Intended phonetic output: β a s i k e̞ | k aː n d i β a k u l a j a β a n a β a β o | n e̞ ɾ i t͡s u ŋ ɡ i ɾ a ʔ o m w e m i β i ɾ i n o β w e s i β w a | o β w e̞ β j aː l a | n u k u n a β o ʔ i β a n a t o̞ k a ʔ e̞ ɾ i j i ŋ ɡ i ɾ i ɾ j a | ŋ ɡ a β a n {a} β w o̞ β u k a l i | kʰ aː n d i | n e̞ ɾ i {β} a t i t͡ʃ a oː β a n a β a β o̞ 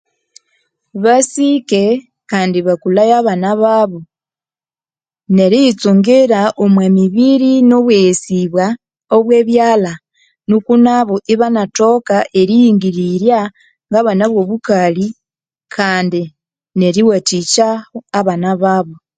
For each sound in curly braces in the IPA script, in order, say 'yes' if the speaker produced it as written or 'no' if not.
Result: yes, no

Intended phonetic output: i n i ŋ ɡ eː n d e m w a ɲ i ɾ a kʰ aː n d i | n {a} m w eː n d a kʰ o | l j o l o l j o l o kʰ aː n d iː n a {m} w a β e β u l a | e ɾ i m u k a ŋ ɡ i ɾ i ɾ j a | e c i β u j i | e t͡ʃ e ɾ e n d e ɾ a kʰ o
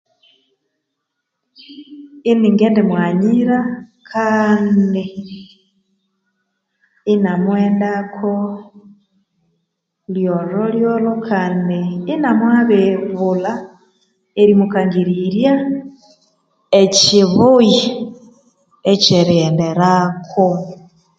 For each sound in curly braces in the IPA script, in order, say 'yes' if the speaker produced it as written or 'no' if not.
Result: yes, yes

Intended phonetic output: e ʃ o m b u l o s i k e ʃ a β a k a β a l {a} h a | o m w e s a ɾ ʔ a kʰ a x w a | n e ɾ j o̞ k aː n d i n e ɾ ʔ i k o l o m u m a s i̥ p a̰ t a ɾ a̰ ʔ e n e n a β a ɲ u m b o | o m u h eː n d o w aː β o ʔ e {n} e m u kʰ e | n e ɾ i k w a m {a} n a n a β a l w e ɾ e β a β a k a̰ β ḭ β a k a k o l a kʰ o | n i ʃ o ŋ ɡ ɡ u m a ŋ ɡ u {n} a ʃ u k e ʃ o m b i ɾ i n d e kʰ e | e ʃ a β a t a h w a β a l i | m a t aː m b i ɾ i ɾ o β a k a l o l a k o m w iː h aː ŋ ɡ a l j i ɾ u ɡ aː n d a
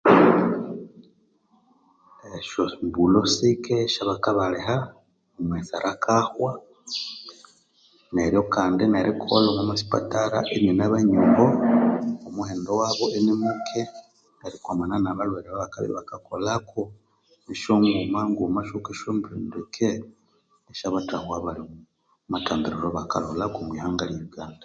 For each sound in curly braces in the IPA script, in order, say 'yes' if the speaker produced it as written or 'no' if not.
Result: no, yes, yes, no

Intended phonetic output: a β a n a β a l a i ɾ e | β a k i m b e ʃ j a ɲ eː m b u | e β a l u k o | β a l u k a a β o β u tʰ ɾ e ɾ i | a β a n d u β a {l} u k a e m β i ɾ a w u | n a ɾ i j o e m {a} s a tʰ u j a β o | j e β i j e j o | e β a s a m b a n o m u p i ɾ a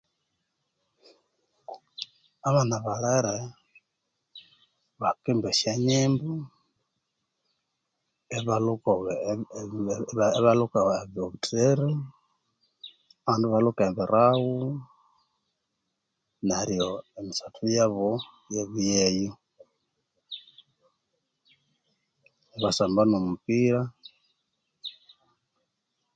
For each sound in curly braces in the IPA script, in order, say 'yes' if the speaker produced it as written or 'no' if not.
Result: yes, no

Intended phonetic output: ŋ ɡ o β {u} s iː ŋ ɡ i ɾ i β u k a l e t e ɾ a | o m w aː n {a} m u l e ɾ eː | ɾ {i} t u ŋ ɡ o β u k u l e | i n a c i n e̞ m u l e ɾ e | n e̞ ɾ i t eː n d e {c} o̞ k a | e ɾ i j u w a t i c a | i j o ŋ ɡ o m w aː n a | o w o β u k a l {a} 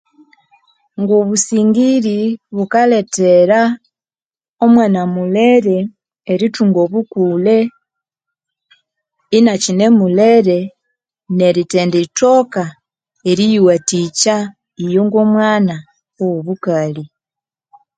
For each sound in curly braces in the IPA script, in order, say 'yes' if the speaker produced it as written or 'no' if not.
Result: yes, yes, yes, no, no

